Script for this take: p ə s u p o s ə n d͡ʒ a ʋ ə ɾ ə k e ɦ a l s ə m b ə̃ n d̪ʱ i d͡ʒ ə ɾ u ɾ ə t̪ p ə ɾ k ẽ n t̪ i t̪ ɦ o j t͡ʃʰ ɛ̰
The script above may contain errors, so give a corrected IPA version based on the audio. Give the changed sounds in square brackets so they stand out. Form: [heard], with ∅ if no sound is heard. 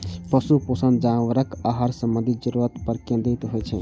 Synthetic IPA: p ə s u p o s ə n d͡ʒ a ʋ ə ɾ ə k [a] ɦ a [ɾ] s ə m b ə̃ n d̪ʱ i d͡ʒ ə ɾ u ɾ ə t̪ p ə ɾ k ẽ n [d̪] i t̪ ɦ o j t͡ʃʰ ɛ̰